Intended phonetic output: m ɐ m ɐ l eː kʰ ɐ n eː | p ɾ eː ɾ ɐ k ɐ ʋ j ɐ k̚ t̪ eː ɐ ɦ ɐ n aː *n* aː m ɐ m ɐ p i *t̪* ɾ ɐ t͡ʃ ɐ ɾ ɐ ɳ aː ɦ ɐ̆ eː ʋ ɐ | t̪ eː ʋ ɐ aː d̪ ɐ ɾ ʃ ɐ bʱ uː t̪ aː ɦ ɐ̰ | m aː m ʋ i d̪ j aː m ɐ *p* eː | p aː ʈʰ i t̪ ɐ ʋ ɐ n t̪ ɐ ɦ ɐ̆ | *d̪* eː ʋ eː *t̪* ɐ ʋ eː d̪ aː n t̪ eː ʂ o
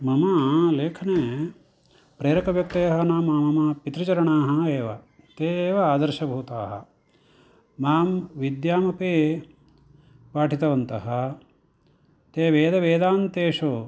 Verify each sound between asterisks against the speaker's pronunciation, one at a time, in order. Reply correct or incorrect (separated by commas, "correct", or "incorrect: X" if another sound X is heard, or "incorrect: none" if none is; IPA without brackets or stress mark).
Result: incorrect: m, correct, correct, incorrect: t̪, incorrect: d̪